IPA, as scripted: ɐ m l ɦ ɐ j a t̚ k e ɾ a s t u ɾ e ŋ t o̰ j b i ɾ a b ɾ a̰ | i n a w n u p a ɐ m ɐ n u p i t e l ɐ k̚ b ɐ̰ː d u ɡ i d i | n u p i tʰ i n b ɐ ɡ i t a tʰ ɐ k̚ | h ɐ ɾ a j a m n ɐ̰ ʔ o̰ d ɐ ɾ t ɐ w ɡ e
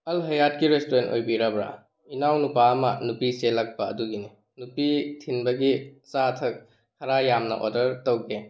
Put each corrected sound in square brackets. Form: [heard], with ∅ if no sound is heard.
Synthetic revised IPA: ɐ [∅] l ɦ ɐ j a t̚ k [i] ɾ [e] s t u ɾ e [n] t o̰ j b i ɾ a b ɾ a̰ | i n a w n u p a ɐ m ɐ n u p i [s] e l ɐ k̚ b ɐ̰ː d u ɡ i [n] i | n u p i tʰ i n b ɐ ɡ i [s] a tʰ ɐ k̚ | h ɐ ɾ a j a m n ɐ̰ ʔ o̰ d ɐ ɾ t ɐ w ɡ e

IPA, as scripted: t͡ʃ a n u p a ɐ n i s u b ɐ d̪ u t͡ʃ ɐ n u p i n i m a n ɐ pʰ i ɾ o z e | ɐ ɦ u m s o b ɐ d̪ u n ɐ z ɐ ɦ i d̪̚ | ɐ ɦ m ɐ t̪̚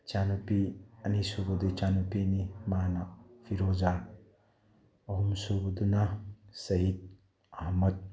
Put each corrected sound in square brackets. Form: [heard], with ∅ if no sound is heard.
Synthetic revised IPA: t͡ʃ a n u p [i] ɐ n i s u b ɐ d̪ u t͡ʃ [a] n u p i n i m a n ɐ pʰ i ɾ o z [a] | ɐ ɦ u m s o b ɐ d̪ u n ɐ [s] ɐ ɦ i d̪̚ | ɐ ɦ m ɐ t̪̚

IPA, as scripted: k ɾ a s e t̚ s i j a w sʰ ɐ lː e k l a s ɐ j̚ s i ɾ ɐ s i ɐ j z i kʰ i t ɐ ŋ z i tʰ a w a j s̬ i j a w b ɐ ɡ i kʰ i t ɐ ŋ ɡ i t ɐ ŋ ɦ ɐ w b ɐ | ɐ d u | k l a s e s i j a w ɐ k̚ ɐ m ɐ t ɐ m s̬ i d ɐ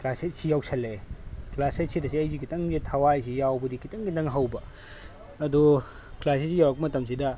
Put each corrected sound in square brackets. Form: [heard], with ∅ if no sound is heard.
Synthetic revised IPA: k [l] a s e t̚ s i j a w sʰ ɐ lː e k l a s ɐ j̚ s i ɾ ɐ s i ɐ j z i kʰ i t ɐ ŋ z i tʰ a w a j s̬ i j a w b ɐ [d] i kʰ i t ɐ ŋ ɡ i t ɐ ŋ ɦ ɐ w b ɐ | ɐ d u | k l a s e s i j a w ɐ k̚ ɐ m ɐ t ɐ m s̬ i d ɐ

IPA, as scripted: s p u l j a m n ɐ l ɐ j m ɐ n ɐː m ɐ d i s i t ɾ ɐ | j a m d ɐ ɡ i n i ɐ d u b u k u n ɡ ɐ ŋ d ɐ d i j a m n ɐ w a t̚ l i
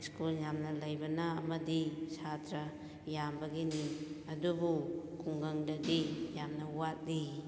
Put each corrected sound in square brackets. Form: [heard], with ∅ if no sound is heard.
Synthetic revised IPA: s [k] u l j a m n ɐ l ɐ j [b] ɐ n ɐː m ɐ d i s [a] t ɾ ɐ | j a m [b] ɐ ɡ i n i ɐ d u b u k u [ŋ] ɡ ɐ ŋ d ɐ d i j a m n ɐ w a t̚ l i

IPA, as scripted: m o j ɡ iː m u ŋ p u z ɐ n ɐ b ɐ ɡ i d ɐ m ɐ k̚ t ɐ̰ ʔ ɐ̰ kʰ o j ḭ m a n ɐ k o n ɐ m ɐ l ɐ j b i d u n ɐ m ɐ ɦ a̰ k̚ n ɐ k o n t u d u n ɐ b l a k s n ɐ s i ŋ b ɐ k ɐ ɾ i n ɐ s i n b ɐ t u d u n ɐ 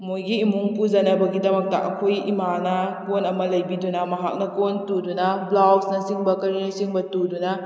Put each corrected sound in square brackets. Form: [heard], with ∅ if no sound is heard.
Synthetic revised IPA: m o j ɡ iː m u ŋ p u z ɐ n ɐ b ɐ ɡ i d ɐ m ɐ k̚ t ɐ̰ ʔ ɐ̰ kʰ o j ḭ m a n ɐ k o n ɐ m ɐ l ɐ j b i d u n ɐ m ɐ ɦ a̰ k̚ n ɐ k o n t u d u n ɐ b l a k s n ɐ s i ŋ b ɐ k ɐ ɾ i n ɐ s i [ŋ] b ɐ t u d u n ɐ

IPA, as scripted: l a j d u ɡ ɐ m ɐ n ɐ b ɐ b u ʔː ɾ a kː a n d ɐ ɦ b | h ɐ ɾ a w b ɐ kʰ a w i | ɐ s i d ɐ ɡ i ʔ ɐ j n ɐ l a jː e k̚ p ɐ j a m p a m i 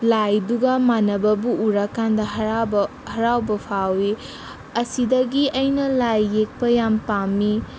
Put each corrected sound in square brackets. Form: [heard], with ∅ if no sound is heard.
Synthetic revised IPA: l a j d u ɡ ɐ m [a] n ɐ b ɐ b u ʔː ɾ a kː a n d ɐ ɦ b | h ɐ ɾ a w b ɐ [pʰ] a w i | ɐ s i d ɐ ɡ i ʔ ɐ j n ɐ l a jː e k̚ p ɐ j a m p a m i

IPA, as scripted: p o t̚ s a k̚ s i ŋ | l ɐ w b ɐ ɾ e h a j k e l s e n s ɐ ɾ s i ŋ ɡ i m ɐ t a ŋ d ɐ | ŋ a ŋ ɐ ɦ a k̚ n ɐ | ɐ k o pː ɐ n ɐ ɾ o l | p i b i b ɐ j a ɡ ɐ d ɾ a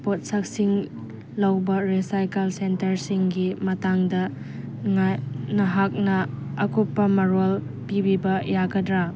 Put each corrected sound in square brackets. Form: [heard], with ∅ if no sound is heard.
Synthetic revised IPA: p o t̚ s a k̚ s i ŋ | l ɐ w b ɐ ɾ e [s] a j k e l s e n [t] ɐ ɾ s i ŋ ɡ i m ɐ t a ŋ d ɐ | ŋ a [n] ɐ ɦ a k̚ n ɐ | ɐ k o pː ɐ [m] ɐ ɾ o l | p i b i b ɐ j a ɡ ɐ d ɾ a

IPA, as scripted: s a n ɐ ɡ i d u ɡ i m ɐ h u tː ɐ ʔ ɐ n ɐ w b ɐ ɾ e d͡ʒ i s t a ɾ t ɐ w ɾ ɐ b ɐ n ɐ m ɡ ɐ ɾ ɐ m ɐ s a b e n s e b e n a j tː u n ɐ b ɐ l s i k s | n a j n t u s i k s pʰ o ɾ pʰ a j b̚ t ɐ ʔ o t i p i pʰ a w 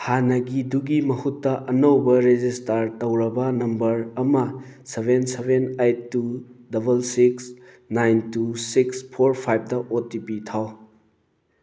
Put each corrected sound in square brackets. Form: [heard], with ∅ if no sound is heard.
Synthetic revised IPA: [h] a n ɐ ɡ i d u ɡ i m ɐ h u tː ɐ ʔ ɐ n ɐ w b ɐ ɾ e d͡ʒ i s t a ɾ t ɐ w ɾ ɐ b ɐ n ɐ m [b] ɐ ɾ ɐ m ɐ s [e] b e n s e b e n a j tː u [d] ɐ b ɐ l s i k s | n a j n t u s i k s pʰ o ɾ pʰ a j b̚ [d] ɐ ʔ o t i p i [tʰ] a w

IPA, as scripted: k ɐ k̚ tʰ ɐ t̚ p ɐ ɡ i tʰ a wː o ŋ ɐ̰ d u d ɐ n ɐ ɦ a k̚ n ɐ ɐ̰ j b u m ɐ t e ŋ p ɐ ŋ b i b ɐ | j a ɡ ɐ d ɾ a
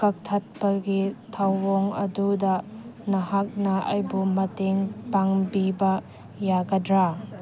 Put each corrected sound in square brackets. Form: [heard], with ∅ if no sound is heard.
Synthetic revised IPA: k ɐ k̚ tʰ ɐ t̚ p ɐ ɡ i tʰ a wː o ŋ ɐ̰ d u d ɐ n ɐ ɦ a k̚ n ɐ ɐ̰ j b u m ɐ t e ŋ p [a] ŋ b i b ɐ | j a ɡ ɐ d ɾ a

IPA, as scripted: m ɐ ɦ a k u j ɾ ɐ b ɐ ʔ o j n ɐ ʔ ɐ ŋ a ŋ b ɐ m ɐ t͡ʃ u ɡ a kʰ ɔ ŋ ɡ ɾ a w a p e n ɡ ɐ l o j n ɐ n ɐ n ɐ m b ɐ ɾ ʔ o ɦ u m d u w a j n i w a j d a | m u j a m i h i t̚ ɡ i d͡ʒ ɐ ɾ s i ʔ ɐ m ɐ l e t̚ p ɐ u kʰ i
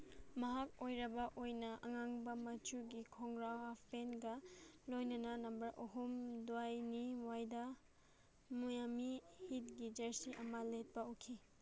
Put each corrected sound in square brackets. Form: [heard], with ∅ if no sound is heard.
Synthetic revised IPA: m ɐ ɦ a k [o] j ɾ ɐ b ɐ ʔ o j n ɐ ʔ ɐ ŋ a ŋ b ɐ m ɐ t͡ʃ u ɡ [i] kʰ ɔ ŋ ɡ ɾ a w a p e n ɡ ɐ l o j n ɐ n ɐ n ɐ m b ɐ ɾ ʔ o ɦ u m d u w a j n i w a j d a | m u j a m i h i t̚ ɡ i d͡ʒ ɐ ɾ s i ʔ ɐ m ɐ l e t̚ p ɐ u kʰ i

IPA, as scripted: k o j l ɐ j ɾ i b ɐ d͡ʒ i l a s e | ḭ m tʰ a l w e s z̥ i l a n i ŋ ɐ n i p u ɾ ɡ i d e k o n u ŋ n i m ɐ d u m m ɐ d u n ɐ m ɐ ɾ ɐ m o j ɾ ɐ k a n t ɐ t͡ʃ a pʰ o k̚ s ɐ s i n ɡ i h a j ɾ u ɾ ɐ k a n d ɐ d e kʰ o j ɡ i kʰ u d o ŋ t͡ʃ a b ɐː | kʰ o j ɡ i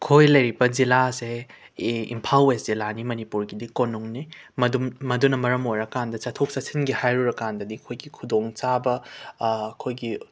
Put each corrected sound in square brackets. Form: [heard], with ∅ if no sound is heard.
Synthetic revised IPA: [kʰ] o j l ɐ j ɾ i b ɐ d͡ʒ i l a s e | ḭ m [pʰ] a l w e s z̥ i l a n i [m] ɐ n i p u ɾ ɡ i d [i] k o n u ŋ n i m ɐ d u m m ɐ d u n ɐ m ɐ ɾ ɐ m o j ɾ ɐ k a n [d] ɐ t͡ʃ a [tʰ] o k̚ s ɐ s i n ɡ i h a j ɾ u ɾ ɐ k a n d ɐ d [i] kʰ o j ɡ i kʰ u d o ŋ t͡ʃ a b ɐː | kʰ o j ɡ i

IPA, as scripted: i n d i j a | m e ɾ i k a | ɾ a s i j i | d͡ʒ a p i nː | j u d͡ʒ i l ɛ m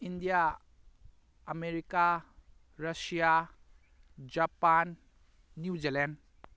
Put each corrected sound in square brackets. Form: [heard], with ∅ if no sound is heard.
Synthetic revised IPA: i n d i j a | m e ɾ i k a | ɾ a s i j [a] | d͡ʒ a p [a] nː | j u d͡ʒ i l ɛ [n]

